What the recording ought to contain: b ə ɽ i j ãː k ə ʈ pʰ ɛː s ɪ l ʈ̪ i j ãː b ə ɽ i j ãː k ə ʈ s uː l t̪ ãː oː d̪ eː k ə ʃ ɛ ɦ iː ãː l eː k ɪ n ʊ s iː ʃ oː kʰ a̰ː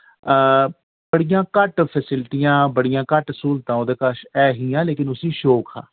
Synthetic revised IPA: b ə ɽ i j ãː k ə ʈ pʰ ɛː s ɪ l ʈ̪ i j ãː b ə ɽ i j ãː k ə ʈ s uː l t̪ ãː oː d̪ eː k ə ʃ ɛː ɦ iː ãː l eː k ɪ n ʊ s iː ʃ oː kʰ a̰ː